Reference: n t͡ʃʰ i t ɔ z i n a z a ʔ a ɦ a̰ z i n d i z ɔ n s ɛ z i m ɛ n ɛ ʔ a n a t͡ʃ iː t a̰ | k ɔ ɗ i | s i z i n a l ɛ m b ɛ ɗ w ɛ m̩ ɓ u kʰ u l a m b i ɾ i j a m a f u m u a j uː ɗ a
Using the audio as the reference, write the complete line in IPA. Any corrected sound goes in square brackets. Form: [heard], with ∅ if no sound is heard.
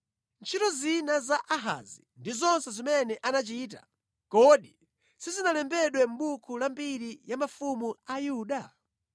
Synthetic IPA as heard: n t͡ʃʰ i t ɔ z i n a z a ʔ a ɦ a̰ z i n d i z ɔ n s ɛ z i m ɛ n ɛ ʔ a n a t͡ʃ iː t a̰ | k ɔ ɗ i | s i z i n a l ɛ m b ɛ ɗ w ɛ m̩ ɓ u kʰ u l a m b i ɾ i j a m a f u m u a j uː ɗ a